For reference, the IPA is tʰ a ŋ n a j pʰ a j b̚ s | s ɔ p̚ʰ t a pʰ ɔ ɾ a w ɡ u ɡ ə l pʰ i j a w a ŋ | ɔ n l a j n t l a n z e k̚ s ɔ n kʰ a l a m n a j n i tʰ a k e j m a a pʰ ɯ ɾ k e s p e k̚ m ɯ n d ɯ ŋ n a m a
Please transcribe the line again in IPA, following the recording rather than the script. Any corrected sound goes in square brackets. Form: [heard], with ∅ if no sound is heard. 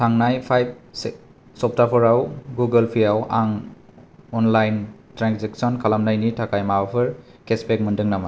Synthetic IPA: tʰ a ŋ n a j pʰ a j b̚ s | s ɔ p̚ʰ t a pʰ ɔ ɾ a w ɡ u ɡ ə l pʰ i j a w a ŋ | ɔ n l a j n t [ɾ] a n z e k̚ s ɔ n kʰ a l a m n a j n i tʰ a k [a] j m a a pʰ ɯ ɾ k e s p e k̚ m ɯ n d ɯ ŋ n a m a